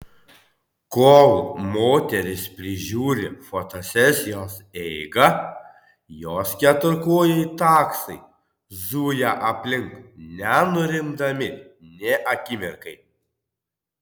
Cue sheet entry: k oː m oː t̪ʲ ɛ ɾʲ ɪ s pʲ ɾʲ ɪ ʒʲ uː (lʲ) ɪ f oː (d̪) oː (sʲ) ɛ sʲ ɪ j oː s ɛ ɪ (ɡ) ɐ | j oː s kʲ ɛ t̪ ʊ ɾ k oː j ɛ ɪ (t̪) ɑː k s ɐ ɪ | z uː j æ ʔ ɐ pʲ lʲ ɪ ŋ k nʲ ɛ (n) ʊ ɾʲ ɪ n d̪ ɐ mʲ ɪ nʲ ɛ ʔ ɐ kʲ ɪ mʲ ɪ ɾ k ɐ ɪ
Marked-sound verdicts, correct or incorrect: incorrect: ɾʲ, incorrect: t̪, correct, correct, correct, correct

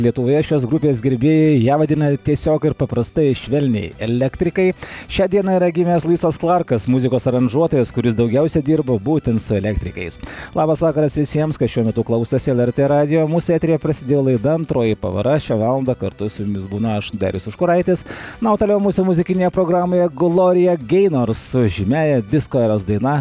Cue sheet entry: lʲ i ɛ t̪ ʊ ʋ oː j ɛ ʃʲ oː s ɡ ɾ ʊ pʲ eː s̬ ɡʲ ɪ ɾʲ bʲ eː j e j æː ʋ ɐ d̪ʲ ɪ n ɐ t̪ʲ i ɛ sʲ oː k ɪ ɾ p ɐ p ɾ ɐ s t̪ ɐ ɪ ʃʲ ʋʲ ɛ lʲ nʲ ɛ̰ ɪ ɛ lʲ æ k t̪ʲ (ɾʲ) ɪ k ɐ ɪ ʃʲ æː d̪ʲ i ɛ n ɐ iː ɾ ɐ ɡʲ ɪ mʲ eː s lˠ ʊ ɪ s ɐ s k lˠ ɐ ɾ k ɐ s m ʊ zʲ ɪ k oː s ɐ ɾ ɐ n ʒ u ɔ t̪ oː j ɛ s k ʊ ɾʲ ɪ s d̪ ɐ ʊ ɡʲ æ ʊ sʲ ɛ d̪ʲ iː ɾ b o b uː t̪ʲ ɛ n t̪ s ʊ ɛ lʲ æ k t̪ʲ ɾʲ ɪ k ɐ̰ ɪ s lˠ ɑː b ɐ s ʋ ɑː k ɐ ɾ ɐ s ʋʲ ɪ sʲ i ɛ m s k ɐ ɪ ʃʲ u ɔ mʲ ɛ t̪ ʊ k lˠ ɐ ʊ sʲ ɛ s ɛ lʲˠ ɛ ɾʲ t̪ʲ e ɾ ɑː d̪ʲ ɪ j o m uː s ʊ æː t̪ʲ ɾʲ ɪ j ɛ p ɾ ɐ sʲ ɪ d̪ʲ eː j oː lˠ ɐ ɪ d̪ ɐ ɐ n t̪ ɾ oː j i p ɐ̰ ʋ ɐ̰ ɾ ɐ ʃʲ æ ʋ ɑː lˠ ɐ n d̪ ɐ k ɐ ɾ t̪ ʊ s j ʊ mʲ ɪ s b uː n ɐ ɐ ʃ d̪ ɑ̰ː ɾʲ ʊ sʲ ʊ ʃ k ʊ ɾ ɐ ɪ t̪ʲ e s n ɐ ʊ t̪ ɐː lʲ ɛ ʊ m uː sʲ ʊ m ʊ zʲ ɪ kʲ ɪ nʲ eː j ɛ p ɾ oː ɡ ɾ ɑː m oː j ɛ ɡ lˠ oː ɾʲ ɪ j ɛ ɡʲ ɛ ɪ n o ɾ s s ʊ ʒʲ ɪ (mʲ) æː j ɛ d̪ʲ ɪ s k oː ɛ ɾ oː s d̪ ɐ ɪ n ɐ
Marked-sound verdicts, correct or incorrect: correct, correct

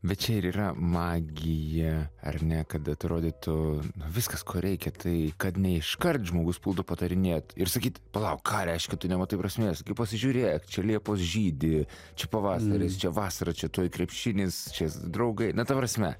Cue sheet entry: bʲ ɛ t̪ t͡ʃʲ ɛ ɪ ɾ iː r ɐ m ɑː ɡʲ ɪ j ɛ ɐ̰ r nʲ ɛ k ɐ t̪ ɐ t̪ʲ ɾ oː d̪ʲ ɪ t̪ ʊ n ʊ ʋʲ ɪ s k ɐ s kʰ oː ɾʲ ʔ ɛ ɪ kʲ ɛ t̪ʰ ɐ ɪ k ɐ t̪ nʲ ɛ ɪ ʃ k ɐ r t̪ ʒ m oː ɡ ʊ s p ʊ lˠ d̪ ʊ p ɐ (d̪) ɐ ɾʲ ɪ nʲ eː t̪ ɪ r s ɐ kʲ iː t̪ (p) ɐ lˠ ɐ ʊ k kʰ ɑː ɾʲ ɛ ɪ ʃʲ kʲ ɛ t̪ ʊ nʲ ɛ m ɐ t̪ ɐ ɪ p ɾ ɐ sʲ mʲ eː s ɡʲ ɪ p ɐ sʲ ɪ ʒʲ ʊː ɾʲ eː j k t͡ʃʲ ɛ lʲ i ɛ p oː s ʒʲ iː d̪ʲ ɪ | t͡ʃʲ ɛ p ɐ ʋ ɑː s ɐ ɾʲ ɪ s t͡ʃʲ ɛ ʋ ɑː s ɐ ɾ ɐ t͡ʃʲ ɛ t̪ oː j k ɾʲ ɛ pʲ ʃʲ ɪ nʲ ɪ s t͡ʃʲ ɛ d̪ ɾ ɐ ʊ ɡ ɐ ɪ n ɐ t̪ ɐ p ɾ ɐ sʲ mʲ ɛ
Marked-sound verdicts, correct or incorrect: incorrect: t̪, correct

